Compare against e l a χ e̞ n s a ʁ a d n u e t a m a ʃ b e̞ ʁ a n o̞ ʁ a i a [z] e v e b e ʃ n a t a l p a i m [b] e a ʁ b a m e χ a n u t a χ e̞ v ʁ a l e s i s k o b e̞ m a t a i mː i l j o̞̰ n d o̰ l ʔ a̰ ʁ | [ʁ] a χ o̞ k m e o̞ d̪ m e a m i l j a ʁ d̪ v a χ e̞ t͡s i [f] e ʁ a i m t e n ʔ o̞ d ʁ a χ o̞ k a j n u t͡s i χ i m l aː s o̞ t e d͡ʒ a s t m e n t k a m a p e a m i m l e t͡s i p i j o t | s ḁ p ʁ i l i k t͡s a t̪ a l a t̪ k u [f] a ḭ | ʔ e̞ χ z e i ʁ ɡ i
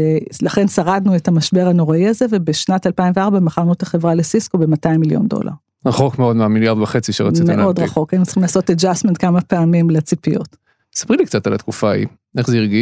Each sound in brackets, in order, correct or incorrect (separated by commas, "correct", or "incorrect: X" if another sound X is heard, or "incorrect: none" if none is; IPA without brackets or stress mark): correct, incorrect: v, correct, incorrect: ʃ, correct